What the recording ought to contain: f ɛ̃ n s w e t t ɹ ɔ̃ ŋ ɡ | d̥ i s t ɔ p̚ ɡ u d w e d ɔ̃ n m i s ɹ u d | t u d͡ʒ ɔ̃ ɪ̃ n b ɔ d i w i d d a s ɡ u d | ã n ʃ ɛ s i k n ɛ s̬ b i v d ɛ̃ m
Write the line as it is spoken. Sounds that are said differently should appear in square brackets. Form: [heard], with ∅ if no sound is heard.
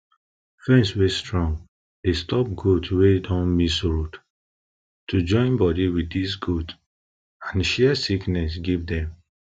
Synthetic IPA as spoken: f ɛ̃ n s w e [s] t ɹ ɔ̃ ŋ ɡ | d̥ [e] s t ɔ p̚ ɡ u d w e d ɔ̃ n m i s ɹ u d | t u d͡ʒ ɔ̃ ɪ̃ n b ɔ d i w i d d [i] s ɡ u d | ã n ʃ ɛ s i k n ɛ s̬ [ɡ] i v d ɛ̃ m

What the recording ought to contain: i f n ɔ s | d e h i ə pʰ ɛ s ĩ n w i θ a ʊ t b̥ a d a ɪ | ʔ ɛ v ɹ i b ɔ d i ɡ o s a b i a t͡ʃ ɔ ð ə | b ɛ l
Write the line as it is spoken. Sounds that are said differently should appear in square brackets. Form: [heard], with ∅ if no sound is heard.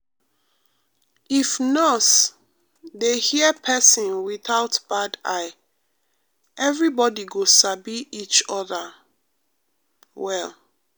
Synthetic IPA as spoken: i f n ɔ s | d e h i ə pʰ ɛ s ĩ n w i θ a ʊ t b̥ a d a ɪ | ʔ ɛ v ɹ i b ɔ d i ɡ o s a b i [i] t͡ʃ ɔ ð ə | [w] ɛ l

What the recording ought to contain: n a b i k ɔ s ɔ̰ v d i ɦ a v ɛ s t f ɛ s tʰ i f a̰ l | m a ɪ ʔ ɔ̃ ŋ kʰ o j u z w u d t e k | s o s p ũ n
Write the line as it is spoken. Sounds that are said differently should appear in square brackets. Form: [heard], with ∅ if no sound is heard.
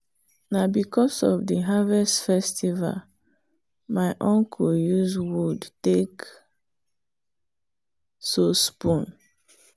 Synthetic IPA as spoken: n a b i k ɔ s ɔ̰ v d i ɦ a v ɛ s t f ɛ s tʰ i [v] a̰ l | m a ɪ ʔ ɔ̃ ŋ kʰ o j u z w u d t e k | s o s p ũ n

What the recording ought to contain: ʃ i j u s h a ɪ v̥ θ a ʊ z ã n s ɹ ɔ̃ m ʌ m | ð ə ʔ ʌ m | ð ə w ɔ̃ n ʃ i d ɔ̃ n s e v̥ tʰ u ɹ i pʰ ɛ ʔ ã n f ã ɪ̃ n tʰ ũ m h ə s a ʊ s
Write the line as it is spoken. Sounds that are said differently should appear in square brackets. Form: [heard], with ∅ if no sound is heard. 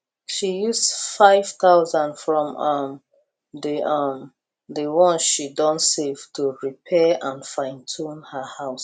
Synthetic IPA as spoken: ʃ i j u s [f] a ɪ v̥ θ a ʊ z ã n [f] ɹ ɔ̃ m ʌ m | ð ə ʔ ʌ m | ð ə w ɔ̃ n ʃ i d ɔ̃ n s e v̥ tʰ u ɹ i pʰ ɛ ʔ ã n f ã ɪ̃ n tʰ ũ [n] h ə [h] a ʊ s

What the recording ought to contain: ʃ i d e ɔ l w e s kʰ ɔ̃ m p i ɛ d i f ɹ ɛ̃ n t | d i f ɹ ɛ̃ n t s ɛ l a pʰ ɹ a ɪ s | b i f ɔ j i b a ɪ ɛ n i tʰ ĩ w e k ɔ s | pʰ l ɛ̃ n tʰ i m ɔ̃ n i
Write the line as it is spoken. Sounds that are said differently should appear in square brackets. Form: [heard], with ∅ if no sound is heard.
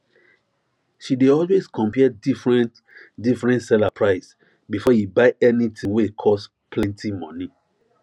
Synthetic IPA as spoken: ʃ i d e ɔ l w e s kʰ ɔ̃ m p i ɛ d i f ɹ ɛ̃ n t | d i f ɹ ɛ̃ n t s ɛ l a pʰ ɹ a ɪ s | b i f ɔ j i b a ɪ ɛ n i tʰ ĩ w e [kʰ] ɔ s | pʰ l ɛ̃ n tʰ i m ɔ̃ n i

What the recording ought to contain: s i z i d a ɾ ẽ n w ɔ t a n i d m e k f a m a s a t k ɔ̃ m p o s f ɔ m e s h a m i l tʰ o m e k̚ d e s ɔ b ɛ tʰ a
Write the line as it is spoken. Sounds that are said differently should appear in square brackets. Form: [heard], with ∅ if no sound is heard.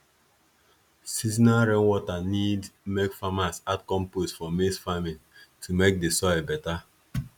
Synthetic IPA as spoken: s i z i [n] a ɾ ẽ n w ɔ t a n i d m e k f a m a s a t k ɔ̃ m p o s f ɔ m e s [f] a m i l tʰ [u] m e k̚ d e s ɔ b ɛ [t] a

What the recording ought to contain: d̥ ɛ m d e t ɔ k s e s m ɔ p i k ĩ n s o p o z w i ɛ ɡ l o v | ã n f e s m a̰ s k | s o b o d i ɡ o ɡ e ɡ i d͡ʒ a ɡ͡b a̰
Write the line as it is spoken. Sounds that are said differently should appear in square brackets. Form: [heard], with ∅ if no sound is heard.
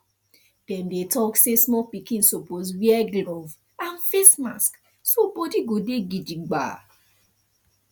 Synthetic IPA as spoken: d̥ ɛ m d e t ɔ k s e s m ɔ p i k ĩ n s o p o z w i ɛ ɡ l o v | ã n f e s m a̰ s k | s o b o d i ɡ o [d] e ɡ i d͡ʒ [i] ɡ͡b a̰

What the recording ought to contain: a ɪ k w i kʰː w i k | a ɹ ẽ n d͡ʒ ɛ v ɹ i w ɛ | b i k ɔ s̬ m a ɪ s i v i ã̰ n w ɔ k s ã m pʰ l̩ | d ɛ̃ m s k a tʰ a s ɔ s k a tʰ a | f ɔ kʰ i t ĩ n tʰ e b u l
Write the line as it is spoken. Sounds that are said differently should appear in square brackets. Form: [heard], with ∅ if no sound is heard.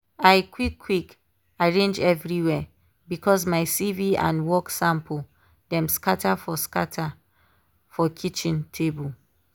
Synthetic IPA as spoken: a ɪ k w i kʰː w i k | a ɹ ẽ n d͡ʒ ɛ v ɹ i w ɛ | b i k ɔ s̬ m a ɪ s i v i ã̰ n w ɔ k s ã m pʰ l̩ | d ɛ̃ m s k a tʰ a [f] ɔ s k a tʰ a | f ɔ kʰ i [t͡ʃ] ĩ n tʰ e b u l

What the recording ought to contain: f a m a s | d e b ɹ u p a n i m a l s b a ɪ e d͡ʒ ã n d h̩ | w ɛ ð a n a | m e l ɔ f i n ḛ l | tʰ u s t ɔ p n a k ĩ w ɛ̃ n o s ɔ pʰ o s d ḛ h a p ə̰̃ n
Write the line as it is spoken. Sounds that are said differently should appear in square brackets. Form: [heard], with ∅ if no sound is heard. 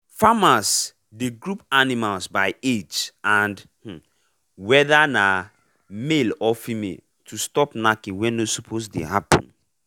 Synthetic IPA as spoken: f a m a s | d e [ɡ] ɹ u p a n i m a l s b a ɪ e d͡ʒ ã n d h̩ | w ɛ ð a n a | m e l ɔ f i [m] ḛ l | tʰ u s t ɔ p n a k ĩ w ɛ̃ n o s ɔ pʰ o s d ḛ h a p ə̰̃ n

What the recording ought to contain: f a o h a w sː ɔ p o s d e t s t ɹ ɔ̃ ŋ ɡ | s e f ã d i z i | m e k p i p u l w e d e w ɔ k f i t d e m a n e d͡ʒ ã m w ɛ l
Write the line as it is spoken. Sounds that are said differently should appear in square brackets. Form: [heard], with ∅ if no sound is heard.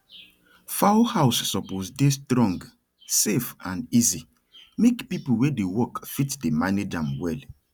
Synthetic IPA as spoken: f a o h a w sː ɔ p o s d e [∅] s t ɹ ɔ̃ ŋ ɡ | s e f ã [n] i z i | m e k p i p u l w e d e w ɔ k f i t d e m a n e d͡ʒ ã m w ɛ l

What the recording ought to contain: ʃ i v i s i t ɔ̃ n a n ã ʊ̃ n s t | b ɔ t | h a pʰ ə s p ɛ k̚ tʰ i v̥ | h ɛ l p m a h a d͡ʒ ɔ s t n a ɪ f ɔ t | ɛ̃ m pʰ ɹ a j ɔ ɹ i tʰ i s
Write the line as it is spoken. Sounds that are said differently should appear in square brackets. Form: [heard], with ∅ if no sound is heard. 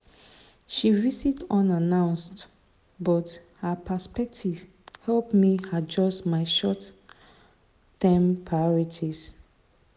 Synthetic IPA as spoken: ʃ i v i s i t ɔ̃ n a n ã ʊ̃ n s t | b ɔ t | h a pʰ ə s p ɛ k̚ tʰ i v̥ | h ɛ l p m [i] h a d͡ʒ ɔ s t [m] a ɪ [ʃ] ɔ t | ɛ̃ m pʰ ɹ a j ɔ ɹ i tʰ i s

